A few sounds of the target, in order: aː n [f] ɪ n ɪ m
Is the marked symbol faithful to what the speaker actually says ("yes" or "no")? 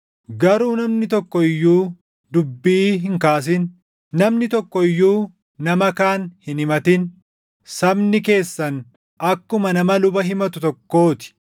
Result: no